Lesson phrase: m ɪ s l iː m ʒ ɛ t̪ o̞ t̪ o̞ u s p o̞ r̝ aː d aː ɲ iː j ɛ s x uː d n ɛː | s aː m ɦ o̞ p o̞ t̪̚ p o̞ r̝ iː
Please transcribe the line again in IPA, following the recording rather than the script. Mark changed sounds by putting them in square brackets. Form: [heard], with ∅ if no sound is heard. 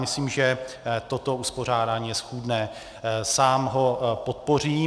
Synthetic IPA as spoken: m ɪ s l iː m ʒ ɛ t̪ o̞ t̪ o̞ u s p o̞ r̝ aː d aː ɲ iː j ɛ s x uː d n ɛː | s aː m ɦ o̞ p o̞ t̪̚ p o̞ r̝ iː